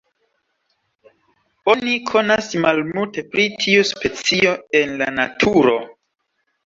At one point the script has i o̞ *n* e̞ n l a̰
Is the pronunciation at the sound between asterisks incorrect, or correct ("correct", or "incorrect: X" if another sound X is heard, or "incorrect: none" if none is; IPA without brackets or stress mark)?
incorrect: none